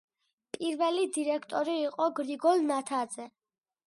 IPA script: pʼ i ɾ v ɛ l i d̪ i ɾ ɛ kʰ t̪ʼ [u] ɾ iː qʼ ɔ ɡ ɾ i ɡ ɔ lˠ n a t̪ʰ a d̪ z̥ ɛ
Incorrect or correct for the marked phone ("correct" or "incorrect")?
incorrect